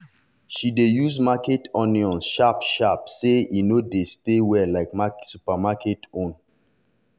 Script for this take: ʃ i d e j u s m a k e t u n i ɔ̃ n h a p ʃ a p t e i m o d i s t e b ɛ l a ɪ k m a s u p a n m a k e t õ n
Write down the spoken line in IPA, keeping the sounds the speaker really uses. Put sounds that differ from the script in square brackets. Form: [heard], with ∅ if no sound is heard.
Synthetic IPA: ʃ i d e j u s m a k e t [ɔ] n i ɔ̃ n [ʃ] a p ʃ a p [s] e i [n] o d [e] s t e [w] ɛ l a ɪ k m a s u p a [∅] m a k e t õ n